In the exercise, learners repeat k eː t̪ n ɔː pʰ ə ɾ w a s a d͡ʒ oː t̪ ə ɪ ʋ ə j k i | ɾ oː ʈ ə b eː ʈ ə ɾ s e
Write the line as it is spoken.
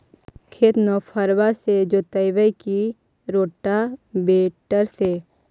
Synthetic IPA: kʰ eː t̪ n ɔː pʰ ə ɾ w a s e d͡ʒ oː t̪ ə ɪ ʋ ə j k i | ɾ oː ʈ a b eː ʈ ə ɾ s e